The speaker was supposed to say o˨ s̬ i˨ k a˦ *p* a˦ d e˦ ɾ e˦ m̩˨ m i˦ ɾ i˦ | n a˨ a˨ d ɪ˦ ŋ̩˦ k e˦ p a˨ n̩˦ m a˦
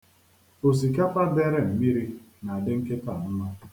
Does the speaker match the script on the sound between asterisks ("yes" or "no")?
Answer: yes